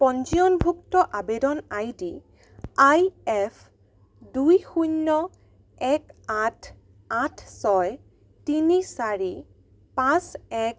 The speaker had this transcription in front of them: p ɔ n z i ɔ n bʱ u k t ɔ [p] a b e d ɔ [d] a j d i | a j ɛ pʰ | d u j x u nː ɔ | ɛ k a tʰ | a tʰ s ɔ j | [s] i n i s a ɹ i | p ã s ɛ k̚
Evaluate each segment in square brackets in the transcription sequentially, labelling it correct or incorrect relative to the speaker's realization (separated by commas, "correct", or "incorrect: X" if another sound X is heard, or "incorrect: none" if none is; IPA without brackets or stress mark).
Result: incorrect: ʔ, incorrect: n, incorrect: t